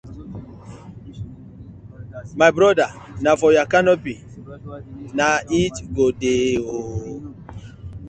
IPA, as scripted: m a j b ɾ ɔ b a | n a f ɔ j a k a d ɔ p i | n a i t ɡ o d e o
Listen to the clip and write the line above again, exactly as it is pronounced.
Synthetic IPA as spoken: m a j b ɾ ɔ d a | n a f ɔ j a k a n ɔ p i | n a i t ɡ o d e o